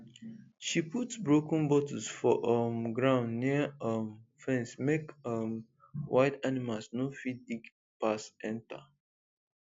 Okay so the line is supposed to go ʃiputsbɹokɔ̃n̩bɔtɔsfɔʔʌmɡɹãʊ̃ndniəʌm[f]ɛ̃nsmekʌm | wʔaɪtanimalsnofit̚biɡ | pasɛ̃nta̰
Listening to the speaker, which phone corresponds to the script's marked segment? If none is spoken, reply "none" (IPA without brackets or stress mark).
f